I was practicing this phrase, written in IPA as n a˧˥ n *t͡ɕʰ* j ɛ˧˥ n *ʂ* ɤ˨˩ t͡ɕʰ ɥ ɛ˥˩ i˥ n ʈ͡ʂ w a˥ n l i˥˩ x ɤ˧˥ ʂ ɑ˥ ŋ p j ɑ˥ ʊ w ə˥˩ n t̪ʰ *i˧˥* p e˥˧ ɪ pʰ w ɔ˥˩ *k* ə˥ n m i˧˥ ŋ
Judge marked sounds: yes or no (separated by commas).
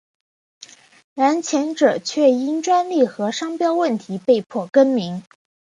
yes, no, yes, yes